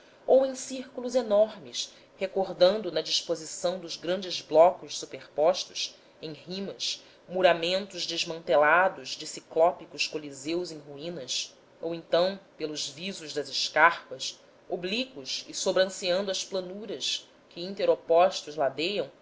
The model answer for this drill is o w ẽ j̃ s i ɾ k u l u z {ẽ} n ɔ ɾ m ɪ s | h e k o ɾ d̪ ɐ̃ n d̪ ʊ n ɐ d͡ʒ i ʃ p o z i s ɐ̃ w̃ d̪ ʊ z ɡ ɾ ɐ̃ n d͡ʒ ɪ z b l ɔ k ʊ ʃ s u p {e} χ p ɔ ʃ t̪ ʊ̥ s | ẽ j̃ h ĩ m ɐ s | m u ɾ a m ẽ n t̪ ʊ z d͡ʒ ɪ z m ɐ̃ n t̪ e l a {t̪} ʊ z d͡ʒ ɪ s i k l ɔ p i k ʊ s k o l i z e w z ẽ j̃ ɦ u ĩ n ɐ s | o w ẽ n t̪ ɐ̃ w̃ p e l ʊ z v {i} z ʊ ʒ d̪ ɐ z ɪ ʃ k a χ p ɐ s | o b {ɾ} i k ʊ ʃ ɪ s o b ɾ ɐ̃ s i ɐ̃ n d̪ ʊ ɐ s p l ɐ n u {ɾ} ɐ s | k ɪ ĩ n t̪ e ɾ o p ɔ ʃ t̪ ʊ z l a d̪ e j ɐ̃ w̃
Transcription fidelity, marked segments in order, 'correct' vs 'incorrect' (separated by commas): incorrect, correct, incorrect, correct, incorrect, correct